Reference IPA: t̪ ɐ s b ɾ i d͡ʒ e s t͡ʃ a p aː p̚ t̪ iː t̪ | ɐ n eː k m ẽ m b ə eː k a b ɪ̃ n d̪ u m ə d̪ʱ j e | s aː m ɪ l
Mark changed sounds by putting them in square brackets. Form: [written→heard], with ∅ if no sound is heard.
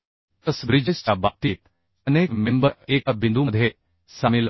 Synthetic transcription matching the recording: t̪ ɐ s b ɾ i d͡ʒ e s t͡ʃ a [p→b] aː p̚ t̪ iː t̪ | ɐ n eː k m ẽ m b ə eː k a b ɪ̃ n d̪ u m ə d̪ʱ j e | s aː m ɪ l